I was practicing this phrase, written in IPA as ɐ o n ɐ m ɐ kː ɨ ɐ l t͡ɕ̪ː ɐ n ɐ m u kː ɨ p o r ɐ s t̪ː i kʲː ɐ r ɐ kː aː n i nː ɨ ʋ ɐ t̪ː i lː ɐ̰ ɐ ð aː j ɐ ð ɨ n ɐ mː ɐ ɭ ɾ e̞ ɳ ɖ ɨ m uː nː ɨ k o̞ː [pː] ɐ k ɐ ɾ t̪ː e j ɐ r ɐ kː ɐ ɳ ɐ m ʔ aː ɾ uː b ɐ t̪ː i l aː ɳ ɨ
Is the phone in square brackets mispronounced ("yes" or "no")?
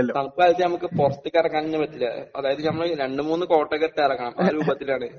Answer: yes